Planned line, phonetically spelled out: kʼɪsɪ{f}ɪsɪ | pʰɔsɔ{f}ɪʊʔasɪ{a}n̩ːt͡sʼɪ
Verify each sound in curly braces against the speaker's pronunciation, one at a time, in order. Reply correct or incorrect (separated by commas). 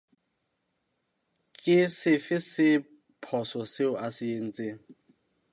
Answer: correct, incorrect, incorrect